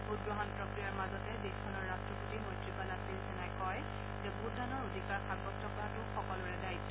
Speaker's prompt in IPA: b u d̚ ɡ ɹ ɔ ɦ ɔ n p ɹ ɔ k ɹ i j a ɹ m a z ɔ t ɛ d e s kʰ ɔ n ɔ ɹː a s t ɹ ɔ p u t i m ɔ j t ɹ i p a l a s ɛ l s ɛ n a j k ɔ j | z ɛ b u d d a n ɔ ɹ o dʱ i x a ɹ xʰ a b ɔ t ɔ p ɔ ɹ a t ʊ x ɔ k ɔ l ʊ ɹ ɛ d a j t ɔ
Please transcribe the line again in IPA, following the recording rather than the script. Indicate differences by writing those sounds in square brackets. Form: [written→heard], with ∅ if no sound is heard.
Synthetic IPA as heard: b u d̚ ɡ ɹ ɔ ɦ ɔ n p ɹ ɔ k ɹ i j a ɹ m a z ɔ t ɛ d e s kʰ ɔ n ɔ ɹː a s t ɹ ɔ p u t i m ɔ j t ɹ i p a l a s [ɛ→i] l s ɛ n a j k ɔ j | z ɛ b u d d a n ɔ ɹ o dʱ i [x→k] a ɹ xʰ a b ɔ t ɔ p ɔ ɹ a t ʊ x ɔ k ɔ l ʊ ɹ ɛ d a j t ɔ

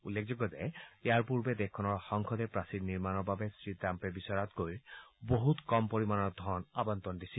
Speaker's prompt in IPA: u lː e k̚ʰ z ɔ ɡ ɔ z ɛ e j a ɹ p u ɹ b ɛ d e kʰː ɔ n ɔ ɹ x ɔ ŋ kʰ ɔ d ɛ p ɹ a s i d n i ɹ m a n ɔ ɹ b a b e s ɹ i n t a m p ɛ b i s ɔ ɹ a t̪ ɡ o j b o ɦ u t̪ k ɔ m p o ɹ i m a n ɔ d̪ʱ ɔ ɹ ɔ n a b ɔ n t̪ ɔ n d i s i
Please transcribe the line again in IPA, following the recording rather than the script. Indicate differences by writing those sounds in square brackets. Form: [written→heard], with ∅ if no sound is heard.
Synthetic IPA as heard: u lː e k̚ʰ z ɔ ɡ ɔ z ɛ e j a ɹ p u ɹ b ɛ d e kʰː ɔ n ɔ ɹ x ɔ ŋ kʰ ɔ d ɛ p ɹ a s i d n i ɹ m a n ɔ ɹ b a b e s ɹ i [n→∅] t a m p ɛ b i s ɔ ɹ a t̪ ɡ o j b o ɦ u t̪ k ɔ m p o ɹ i m a n ɔ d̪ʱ ɔ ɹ ɔ n a b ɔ n t̪ ɔ n d i s i

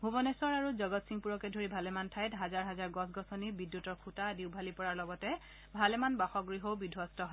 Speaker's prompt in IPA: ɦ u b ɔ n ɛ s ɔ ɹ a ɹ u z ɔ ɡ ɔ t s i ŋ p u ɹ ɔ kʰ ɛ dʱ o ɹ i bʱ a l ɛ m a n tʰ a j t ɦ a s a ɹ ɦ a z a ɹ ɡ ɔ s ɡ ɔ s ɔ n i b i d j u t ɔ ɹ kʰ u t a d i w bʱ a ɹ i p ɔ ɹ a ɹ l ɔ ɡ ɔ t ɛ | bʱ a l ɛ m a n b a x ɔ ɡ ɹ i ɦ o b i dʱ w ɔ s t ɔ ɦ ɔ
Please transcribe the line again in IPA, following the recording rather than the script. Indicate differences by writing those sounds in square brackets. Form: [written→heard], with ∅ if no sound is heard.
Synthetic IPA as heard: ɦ u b ɔ n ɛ s ɔ ɹ a ɹ u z ɔ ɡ ɔ t s i ŋ p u ɹ ɔ [kʰ→k] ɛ dʱ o ɹ i bʱ a l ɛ m a n tʰ a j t ɦ a [s→z] a ɹ ɦ a z a ɹ ɡ ɔ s ɡ ɔ s ɔ n i b i d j u t ɔ ɹ kʰ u t a d i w bʱ a [ɹ→l] i p ɔ ɹ a ɹ l ɔ ɡ ɔ t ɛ | bʱ a l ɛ m a n b a x ɔ ɡ ɹ i ɦ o b i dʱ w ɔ s t ɔ ɦ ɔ

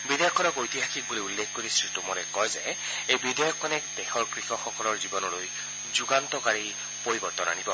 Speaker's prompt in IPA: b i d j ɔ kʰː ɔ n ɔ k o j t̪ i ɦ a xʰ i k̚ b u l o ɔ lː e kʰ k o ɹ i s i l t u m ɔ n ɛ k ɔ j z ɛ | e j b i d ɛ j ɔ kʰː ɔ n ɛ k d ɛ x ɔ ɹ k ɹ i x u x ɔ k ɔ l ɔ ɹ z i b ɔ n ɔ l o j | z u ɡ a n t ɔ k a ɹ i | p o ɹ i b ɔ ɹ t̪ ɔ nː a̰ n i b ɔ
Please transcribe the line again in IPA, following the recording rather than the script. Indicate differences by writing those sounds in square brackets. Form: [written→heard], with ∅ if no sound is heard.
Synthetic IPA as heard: b i d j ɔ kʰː ɔ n ɔ k o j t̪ i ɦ a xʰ i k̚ b u l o [ɔ→u] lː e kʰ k o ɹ i s i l t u m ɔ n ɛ k ɔ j z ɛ | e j b i d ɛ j ɔ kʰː ɔ n ɛ k d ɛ x ɔ ɹ k ɹ i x [u→ɔ] x ɔ k ɔ l ɔ ɹ z i b ɔ n ɔ l o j | z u ɡ a n t ɔ k a ɹ i | p o ɹ i b ɔ ɹ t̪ ɔ [nː→n] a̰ n i b ɔ

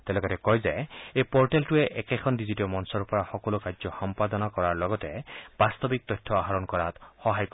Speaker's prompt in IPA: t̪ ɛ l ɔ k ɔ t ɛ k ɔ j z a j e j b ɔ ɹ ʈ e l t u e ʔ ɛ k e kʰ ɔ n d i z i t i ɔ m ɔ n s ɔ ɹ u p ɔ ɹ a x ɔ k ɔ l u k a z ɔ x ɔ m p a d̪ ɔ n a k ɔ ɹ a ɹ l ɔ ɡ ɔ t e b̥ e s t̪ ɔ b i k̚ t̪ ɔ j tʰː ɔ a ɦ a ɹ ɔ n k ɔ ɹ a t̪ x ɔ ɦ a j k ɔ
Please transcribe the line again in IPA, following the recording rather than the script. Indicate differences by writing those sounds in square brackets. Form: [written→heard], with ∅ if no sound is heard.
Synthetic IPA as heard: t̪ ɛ l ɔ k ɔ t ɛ k ɔ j z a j e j [b→p] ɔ ɹ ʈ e l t u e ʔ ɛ k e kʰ ɔ n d i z i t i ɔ m ɔ n s ɔ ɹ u p ɔ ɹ a x ɔ k ɔ l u k a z ɔ x ɔ m p a d̪ ɔ n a k ɔ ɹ a ɹ l ɔ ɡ ɔ t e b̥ [e→a] s t̪ ɔ b i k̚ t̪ ɔ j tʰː ɔ a ɦ a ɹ ɔ n k ɔ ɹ a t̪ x ɔ ɦ a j k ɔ

